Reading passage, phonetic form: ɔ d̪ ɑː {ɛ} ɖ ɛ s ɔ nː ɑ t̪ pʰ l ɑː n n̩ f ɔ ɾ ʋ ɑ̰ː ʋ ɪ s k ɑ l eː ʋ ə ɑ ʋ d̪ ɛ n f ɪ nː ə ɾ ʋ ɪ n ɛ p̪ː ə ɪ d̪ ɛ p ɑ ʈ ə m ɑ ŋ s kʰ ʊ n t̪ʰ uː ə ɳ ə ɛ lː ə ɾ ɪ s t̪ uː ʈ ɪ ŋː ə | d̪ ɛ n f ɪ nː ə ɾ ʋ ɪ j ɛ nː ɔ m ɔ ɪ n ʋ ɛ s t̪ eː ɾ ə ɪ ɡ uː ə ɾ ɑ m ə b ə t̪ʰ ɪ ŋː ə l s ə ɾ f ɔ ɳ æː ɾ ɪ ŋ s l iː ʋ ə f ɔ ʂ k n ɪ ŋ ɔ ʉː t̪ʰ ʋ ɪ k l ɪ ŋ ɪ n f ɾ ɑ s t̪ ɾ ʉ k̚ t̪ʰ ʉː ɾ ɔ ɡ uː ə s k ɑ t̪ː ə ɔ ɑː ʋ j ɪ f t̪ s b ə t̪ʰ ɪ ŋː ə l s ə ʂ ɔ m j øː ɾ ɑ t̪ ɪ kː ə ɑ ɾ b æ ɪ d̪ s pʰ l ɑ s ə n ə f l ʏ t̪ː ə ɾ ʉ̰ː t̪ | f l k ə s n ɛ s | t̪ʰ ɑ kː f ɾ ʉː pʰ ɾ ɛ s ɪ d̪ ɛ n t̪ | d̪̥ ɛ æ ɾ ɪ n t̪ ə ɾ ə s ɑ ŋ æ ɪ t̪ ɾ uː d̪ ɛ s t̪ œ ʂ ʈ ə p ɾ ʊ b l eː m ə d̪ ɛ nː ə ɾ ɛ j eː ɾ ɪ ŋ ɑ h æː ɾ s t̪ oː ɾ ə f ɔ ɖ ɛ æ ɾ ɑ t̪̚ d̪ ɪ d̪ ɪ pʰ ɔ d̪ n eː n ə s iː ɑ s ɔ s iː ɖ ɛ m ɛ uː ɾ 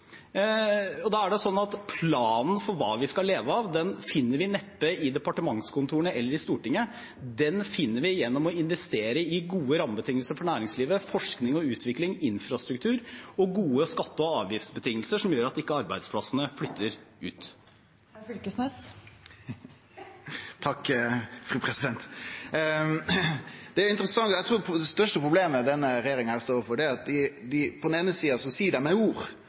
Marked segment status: incorrect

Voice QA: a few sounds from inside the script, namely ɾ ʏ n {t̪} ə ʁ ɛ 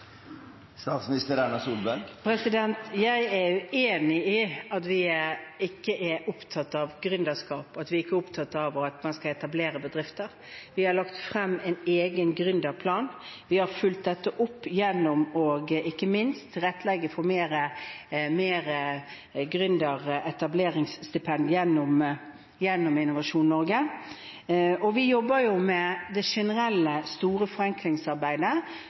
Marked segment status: incorrect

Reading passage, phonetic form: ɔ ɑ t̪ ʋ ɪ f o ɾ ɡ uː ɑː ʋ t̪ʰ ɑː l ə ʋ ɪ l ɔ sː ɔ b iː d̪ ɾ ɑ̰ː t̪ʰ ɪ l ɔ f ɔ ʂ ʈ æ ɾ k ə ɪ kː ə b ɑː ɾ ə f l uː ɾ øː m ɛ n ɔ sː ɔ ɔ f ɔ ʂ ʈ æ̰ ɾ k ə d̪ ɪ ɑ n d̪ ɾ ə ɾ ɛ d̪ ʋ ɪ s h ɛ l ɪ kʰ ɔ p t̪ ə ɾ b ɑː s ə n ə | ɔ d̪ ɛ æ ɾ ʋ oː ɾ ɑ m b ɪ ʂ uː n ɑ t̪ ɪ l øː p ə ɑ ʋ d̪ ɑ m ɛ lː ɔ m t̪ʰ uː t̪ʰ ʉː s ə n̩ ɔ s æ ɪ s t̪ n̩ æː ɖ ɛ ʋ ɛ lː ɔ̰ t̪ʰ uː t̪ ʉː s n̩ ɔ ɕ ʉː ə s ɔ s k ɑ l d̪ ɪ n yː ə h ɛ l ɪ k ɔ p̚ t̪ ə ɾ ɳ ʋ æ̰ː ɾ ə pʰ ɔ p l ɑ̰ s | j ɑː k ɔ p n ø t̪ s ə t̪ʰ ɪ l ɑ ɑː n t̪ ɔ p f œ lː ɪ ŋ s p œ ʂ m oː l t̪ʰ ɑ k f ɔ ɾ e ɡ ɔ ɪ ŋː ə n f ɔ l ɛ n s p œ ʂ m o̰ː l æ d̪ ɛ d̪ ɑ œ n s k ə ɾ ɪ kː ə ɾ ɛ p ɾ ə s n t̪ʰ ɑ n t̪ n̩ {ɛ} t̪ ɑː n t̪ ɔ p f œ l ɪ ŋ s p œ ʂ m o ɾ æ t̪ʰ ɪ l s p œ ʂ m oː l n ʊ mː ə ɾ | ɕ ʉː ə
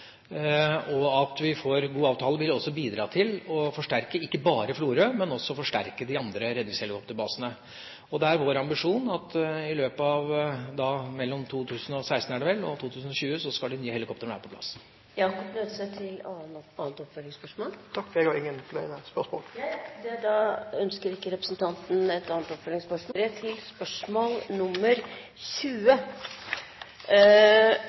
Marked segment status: correct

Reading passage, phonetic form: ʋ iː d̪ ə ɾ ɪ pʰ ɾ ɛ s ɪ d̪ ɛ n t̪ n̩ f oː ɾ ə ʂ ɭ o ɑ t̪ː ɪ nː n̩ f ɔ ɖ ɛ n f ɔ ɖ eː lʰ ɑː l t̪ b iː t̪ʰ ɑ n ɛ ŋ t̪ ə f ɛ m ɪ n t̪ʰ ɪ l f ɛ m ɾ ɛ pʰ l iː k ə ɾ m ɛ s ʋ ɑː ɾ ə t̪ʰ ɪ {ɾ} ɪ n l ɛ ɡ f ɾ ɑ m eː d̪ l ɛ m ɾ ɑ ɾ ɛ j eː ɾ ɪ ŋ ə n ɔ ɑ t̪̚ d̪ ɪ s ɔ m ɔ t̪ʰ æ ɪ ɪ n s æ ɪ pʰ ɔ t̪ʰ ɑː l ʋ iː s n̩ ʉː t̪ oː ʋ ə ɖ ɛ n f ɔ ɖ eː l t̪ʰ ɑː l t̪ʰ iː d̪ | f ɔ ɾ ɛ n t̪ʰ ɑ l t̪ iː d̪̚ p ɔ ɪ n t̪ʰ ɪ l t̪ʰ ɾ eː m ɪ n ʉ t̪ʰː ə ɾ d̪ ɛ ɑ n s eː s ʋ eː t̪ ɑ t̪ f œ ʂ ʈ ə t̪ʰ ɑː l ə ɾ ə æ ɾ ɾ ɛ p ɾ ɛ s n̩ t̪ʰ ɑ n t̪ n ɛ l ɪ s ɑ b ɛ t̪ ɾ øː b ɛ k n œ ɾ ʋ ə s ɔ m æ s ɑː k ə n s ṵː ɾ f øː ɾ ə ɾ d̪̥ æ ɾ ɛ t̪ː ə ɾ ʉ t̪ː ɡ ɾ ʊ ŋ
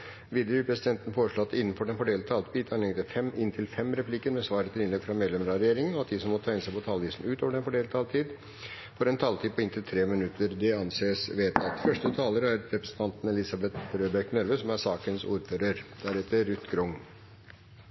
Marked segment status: incorrect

